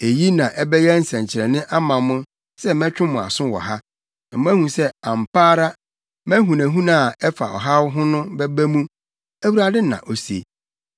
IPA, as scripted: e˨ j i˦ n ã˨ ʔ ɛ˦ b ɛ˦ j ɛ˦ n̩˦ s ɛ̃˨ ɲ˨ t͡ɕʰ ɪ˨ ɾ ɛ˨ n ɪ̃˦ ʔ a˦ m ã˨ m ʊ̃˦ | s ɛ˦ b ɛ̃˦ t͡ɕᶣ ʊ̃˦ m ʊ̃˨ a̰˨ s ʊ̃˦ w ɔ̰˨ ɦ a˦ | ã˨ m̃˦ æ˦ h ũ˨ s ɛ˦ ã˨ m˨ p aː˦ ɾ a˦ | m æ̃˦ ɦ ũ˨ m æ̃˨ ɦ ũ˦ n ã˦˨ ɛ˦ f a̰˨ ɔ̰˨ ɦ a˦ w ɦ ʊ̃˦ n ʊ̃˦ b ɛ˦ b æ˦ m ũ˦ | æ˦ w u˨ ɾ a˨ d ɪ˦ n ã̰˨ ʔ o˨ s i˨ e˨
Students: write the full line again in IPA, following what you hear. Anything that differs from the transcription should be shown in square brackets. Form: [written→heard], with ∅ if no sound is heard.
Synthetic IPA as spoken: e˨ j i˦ n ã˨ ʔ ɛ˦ b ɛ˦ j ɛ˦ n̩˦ s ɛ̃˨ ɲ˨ t͡ɕʰ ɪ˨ ɾ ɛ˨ n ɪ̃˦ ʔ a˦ m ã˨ m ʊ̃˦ | s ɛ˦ [b→m] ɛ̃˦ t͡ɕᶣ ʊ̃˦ m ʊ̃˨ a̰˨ s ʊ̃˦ w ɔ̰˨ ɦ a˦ | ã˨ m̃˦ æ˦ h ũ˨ s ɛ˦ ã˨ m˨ p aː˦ ɾ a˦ | m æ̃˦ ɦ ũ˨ [m→n] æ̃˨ ɦ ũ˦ n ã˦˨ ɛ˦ f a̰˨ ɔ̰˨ ɦ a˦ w ɦ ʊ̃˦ n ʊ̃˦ b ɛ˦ b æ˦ m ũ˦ | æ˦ w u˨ ɾ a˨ d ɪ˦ n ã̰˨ ʔ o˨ s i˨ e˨